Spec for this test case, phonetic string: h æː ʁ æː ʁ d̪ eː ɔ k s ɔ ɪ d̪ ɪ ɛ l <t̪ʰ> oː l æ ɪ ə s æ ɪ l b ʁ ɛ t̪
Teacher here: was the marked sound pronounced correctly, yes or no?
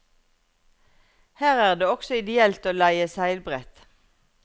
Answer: no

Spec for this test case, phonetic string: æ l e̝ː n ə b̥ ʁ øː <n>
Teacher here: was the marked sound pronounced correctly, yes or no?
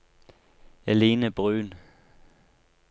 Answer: yes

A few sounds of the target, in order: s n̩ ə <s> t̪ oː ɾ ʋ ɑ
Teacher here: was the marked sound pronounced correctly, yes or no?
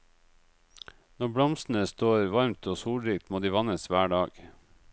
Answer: yes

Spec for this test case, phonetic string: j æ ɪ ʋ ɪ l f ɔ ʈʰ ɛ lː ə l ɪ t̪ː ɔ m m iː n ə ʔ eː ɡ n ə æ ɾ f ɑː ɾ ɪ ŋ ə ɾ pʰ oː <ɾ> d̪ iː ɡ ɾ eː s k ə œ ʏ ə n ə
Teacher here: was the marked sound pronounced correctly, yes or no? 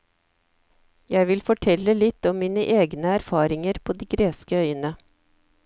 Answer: no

